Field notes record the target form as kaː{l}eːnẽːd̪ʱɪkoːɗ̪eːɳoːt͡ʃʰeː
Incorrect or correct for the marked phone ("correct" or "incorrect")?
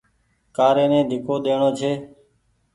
incorrect